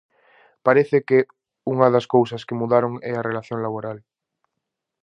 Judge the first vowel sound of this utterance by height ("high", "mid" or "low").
low